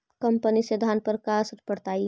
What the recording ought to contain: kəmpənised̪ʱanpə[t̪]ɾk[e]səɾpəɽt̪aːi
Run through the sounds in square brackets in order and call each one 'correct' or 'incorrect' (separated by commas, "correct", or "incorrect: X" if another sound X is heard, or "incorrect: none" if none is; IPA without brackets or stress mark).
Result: incorrect: none, incorrect: a